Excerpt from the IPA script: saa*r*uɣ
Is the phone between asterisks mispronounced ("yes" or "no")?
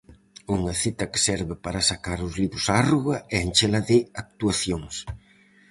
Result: no